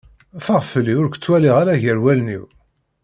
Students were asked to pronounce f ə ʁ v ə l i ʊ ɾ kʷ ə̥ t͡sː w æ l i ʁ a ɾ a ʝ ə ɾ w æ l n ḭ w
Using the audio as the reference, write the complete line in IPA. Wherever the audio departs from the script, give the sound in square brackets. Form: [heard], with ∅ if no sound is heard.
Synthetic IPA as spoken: f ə ʁ [f] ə l i ʊ ɾ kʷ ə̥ t͡sː w æ l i ʁ a ɾ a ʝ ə ɾ w æ l n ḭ w